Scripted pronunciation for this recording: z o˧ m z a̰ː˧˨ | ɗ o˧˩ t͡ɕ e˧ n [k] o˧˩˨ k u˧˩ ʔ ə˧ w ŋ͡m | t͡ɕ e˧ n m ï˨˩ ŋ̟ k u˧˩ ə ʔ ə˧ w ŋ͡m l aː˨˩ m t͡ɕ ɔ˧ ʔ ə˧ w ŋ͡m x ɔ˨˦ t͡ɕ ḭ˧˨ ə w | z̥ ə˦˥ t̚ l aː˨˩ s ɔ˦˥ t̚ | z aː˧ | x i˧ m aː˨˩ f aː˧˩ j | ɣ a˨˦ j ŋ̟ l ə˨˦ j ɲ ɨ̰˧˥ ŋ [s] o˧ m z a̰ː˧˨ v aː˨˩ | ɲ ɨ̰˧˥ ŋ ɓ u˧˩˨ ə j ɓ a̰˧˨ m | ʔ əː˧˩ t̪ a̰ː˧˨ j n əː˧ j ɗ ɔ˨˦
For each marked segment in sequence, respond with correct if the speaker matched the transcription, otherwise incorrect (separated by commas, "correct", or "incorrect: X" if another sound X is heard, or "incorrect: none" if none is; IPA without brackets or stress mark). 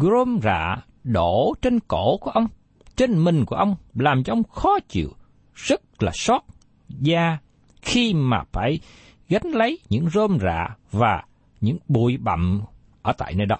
correct, incorrect: z